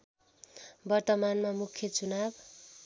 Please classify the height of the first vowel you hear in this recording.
mid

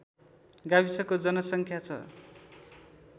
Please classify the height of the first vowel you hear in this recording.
low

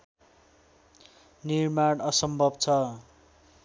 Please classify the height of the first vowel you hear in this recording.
high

